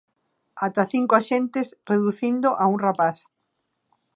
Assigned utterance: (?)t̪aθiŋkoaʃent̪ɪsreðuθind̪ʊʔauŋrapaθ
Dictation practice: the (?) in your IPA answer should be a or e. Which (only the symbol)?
a